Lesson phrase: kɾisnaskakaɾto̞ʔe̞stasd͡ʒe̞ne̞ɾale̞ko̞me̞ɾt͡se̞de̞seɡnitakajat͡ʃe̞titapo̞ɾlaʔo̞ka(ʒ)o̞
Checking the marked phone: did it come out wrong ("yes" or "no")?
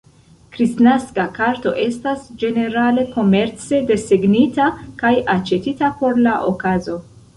yes